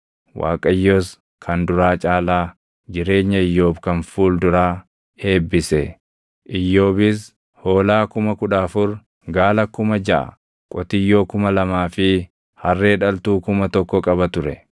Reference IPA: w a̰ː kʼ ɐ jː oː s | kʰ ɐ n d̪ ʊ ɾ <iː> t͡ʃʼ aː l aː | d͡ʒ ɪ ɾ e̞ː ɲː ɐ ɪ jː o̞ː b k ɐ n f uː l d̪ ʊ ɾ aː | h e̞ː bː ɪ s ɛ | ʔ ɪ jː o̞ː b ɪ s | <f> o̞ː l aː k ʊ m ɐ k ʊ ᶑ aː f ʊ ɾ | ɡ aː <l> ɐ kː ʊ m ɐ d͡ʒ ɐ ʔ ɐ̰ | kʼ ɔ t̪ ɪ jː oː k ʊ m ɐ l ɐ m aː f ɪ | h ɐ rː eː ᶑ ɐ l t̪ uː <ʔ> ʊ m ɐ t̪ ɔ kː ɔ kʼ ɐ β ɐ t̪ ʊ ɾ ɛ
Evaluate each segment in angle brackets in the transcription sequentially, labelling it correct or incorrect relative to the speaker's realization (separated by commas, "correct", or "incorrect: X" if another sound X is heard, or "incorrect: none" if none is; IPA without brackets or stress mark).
incorrect: aː, incorrect: h, correct, incorrect: k